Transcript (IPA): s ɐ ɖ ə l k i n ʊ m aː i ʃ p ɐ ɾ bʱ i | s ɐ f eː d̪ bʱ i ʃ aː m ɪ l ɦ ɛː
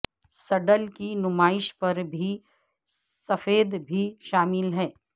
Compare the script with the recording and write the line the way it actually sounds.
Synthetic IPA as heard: s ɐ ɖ ə l k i n ʊ m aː ɪ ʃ p ɐ ɾ bʱ i | s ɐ f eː d̪ bʱ i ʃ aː m ɪ l ɦ ɛː